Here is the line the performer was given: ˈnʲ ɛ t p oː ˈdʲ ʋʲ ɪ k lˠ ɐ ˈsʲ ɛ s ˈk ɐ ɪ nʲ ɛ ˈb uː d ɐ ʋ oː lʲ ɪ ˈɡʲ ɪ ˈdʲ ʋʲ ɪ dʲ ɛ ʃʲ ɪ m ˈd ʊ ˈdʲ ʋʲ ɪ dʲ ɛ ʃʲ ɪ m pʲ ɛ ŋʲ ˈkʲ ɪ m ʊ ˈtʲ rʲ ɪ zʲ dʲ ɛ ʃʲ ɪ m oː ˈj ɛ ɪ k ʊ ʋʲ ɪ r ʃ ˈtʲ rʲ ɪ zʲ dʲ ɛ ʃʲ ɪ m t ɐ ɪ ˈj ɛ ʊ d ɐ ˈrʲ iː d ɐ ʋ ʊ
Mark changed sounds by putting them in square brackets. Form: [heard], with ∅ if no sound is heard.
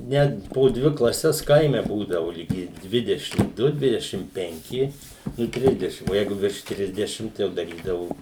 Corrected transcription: ˈnʲ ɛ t p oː ˈdʲ ʋʲ ɪ k lˠ ɐ ˈsʲ ɛ s ˈk ɐ ɪ [mʲ] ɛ ˈb uː d ɐ ʋ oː lʲ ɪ ˈɡʲ ɪ ˈdʲ ʋʲ ɪ dʲ ɛ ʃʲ ɪ m ˈd ʊ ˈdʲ ʋʲ ɪ dʲ ɛ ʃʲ ɪ m pʲ ɛ ŋʲ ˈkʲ ɪ [n] ʊ ˈtʲ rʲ ɪ zʲ dʲ ɛ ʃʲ ɪ m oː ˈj ɛ ɪ [ɡ] ʊ ʋʲ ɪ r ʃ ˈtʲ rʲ ɪ zʲ dʲ ɛ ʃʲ ɪ m t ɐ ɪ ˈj ɛ ʊ d ɐ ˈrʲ iː d ɐ ʋ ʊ